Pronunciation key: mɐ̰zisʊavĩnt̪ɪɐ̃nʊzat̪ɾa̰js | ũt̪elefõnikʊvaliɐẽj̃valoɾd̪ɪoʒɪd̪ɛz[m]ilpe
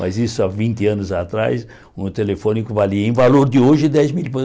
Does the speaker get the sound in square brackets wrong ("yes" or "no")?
no